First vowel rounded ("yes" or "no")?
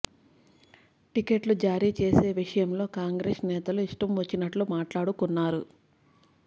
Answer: no